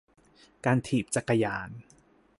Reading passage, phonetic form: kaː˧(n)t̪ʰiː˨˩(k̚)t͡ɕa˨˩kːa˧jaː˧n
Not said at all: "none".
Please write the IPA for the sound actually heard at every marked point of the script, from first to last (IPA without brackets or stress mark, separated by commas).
n, p̚